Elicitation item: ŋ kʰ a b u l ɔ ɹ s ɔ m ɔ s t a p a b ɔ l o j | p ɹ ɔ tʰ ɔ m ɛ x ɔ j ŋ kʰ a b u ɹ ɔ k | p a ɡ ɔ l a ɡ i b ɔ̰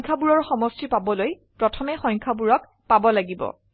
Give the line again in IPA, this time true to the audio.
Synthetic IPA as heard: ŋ kʰ a b u ɹ ɔ ɹ x ɔ m ɔ s t i p a b ɔ l o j | p ɹ ɔ tʰ ɔ m ɛ x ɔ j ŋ kʰ a b u ɹ ɔ k | p a b ɔ l a ɡ i b ɔ̰